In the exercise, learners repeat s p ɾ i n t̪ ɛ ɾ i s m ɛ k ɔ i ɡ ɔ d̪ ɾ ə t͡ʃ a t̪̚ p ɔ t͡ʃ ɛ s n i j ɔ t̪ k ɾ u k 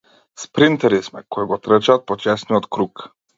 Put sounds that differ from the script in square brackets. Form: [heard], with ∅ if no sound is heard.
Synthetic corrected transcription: s p ɾ i n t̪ ɛ ɾ i s m ɛ k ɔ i ɡ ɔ [t̪] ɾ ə t͡ʃ a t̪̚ p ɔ t͡ʃ ɛ s n i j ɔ t̪ k ɾ u k